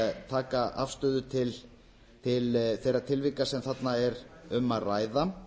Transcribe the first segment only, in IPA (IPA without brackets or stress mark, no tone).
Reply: t̪ʰ